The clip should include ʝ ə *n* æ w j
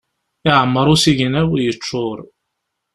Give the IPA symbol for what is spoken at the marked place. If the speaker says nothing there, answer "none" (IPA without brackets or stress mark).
n